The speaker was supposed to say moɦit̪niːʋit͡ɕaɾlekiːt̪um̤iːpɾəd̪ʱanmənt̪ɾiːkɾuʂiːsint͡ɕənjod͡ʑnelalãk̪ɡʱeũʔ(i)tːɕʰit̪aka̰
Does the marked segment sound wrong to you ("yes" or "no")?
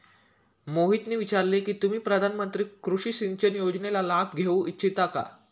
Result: no